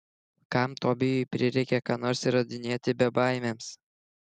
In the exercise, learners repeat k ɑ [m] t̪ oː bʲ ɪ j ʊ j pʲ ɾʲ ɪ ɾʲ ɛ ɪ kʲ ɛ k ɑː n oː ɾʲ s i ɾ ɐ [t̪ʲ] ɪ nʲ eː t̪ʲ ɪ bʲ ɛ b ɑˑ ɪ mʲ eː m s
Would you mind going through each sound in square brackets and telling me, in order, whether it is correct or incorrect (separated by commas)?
correct, incorrect